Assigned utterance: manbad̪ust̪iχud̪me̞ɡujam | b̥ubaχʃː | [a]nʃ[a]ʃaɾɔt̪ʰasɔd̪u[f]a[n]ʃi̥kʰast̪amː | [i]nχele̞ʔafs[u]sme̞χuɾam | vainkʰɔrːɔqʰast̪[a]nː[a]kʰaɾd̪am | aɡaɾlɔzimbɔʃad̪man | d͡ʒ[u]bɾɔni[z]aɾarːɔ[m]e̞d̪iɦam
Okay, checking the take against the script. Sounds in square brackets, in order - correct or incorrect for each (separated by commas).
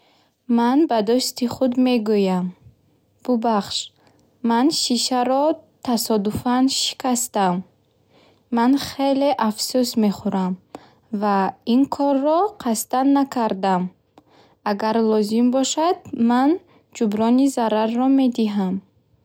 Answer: correct, incorrect, correct, correct, incorrect, correct, correct, correct, correct, correct, correct